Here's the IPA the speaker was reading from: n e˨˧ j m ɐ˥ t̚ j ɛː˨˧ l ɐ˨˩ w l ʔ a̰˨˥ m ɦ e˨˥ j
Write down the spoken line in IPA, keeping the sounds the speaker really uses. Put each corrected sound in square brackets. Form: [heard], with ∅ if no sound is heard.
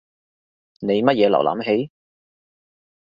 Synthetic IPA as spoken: n e˨˧ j m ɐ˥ t̚ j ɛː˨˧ l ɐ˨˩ w l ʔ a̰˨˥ m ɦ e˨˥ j